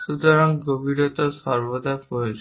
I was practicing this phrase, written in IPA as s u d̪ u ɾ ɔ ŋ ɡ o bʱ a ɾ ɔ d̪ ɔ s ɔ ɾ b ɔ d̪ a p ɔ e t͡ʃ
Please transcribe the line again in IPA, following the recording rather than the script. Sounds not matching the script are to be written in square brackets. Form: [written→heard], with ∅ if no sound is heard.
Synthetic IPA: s u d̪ [u→ɔ] ɾ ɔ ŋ ɡ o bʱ [a→i] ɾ ɔ [d̪→t̪] ɔ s ɔ ɾ b ɔ d̪ a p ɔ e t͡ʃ